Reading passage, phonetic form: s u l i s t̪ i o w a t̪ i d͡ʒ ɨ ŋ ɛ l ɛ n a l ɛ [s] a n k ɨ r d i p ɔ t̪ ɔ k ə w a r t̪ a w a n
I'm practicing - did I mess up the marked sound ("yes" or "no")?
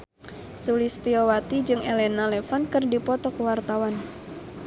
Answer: yes